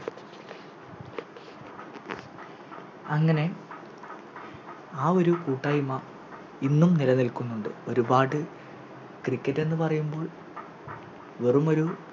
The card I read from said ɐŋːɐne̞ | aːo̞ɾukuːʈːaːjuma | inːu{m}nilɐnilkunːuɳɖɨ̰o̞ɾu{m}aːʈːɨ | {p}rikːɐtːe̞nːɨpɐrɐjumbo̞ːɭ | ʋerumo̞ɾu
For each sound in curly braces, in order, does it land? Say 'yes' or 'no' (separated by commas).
yes, no, no